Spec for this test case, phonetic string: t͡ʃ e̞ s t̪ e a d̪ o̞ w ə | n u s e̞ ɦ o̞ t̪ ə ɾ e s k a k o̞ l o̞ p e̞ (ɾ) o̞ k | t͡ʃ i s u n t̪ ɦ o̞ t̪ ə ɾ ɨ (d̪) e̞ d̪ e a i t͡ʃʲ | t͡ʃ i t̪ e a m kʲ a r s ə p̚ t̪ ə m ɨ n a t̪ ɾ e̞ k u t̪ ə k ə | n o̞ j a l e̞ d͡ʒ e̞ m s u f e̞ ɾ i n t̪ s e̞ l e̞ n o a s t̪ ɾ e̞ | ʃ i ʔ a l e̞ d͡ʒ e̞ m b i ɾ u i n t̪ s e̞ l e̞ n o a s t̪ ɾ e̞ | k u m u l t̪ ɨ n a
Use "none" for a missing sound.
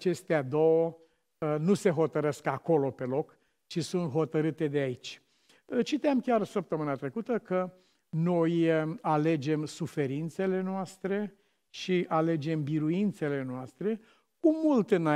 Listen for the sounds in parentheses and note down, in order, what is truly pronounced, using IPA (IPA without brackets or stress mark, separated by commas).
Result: l, t̪